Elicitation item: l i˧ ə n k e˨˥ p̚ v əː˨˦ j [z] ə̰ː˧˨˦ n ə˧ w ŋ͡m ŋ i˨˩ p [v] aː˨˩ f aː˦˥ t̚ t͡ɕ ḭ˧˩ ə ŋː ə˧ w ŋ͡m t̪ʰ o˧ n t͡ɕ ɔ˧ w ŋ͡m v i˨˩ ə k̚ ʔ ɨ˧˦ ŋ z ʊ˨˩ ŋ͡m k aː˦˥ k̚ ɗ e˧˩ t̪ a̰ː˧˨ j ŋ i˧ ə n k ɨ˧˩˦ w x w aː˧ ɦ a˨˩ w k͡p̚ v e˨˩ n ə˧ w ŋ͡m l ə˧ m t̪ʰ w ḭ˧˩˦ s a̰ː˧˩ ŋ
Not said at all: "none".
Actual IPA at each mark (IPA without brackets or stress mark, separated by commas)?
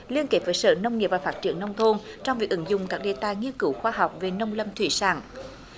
s, v